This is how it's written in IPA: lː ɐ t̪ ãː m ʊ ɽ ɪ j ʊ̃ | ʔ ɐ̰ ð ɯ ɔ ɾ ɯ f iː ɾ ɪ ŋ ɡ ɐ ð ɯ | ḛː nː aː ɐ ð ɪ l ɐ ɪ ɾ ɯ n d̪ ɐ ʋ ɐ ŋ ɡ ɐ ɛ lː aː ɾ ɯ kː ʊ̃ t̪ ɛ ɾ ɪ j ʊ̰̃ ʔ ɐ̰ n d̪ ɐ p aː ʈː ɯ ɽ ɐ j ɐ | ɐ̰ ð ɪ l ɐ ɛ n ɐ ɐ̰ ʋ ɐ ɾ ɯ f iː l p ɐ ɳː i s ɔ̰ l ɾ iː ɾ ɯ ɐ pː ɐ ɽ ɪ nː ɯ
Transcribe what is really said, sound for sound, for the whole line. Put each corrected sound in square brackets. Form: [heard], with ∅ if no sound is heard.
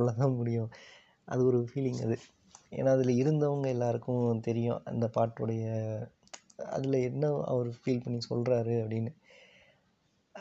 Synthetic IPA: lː ɐ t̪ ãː m ʊ ɽ ɪ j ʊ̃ | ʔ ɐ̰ ð ɯ ɔ ɾ ɯ f iː [l] ɪ ŋ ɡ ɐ ð ɯ | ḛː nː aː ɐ ð ɪ l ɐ ɪ ɾ ɯ n d̪ ɐ ʋ ɐ ŋ ɡ ɐ ɛ lː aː ɾ ɯ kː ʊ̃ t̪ ɛ ɾ ɪ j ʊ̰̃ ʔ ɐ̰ n d̪ ɐ p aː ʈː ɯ ɽ ɐ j ɐ | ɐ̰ ð ɪ l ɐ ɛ [nː] ɐ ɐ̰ ʋ ɐ ɾ ɯ f iː l p ɐ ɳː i s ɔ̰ l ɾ [aː] ɾ ɯ ɐ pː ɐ ɽ ɪ nː ɯ